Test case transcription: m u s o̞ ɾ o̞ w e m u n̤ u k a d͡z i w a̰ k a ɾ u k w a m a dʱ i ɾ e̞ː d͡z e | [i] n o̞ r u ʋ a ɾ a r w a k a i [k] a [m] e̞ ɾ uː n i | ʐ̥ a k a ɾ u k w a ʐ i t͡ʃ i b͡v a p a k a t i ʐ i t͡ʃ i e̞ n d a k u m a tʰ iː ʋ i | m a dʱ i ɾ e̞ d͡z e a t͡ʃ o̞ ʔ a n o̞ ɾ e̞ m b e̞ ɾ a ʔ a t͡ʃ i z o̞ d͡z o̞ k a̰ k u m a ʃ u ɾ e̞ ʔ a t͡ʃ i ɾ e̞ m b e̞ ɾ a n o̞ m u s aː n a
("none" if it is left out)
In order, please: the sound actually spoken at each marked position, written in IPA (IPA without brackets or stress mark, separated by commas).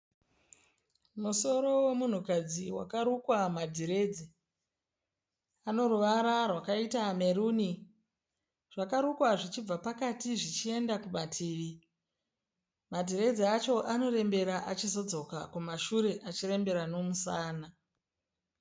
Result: a, t, m